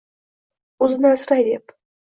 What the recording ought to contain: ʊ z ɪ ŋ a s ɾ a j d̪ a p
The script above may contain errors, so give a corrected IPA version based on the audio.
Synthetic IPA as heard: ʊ z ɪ n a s ɾ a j d̪ e p